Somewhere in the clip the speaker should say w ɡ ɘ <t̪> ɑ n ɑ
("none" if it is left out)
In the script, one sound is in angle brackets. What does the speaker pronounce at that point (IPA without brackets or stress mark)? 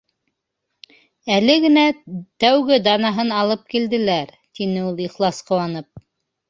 d̪